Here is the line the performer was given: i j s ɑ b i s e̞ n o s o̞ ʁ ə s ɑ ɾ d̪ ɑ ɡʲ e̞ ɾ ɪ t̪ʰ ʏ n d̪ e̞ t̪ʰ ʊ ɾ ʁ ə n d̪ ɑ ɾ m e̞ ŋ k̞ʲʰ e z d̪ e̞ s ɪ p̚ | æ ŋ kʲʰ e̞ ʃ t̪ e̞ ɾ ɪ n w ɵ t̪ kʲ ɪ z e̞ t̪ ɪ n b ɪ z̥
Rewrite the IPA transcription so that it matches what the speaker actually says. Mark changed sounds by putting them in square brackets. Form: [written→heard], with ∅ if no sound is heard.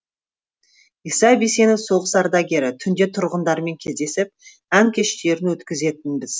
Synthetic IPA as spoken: i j s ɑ b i s e̞ n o s o̞ ʁ ə s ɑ ɾ d̪ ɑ ɡʲ e̞ ɾ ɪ t̪ʰ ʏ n d̪ e̞ t̪ʰ ʊ ɾ ʁ ə n d̪ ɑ ɾ m e̞ ŋ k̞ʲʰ e z d̪ e̞ s ɪ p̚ | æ ŋ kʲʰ e̞ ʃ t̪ e̞ ɾ ɪ n w ɵ t̪ kʲ ɪ z e̞ t̪ ɪ n b ɪ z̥